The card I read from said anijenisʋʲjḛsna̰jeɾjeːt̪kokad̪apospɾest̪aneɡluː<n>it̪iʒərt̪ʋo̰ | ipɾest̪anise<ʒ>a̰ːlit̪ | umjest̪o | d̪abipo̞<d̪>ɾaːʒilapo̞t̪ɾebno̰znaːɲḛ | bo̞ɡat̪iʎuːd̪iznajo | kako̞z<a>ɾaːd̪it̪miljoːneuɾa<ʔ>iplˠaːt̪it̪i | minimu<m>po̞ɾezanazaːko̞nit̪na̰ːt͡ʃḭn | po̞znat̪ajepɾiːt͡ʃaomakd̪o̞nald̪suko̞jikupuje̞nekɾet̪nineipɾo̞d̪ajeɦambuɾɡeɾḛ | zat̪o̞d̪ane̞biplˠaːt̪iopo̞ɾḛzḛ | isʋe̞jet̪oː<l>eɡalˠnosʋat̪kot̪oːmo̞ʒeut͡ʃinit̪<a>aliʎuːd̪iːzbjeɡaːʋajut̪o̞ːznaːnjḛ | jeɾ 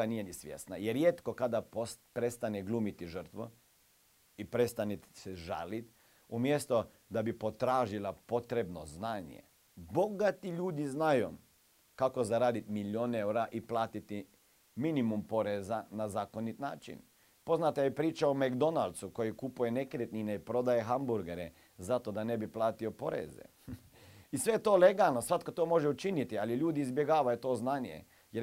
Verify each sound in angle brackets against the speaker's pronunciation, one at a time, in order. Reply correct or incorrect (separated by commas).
incorrect, correct, incorrect, correct, correct, correct, correct, incorrect